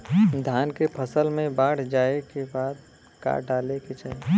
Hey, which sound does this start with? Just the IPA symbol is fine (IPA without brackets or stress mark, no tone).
d̪ʱ